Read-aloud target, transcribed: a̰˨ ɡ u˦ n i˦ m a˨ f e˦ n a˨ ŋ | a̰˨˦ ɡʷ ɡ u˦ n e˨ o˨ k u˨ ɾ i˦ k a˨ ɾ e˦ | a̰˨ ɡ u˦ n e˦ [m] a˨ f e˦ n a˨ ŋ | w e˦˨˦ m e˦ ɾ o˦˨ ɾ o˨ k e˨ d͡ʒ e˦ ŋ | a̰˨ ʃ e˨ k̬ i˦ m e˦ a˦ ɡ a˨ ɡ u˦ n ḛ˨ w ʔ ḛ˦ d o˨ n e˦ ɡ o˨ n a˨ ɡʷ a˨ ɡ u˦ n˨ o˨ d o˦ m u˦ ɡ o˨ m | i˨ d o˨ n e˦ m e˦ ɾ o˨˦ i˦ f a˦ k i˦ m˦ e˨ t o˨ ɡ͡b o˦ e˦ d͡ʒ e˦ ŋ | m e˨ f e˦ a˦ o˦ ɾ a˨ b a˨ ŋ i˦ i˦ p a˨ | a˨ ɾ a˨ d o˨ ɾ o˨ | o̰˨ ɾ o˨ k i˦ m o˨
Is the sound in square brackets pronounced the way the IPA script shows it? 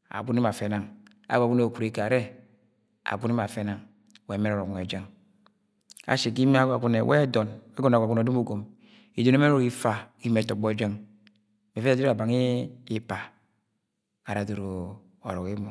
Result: yes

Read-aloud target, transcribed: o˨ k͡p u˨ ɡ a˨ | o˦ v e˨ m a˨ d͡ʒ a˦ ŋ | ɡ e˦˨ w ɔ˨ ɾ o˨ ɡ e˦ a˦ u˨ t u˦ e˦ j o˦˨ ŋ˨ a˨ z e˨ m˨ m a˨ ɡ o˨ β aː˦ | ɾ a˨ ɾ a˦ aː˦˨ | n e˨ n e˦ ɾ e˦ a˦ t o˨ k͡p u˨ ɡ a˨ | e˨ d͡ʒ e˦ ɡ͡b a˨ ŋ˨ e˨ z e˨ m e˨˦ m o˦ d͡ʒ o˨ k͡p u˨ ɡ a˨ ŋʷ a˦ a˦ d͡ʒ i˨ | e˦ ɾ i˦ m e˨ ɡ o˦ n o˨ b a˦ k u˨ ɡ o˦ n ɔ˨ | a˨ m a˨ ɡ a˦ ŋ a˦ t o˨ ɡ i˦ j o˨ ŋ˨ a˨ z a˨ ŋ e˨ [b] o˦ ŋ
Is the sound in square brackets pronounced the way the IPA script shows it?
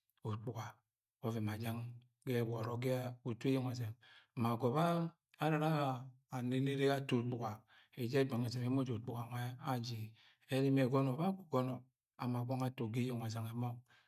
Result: no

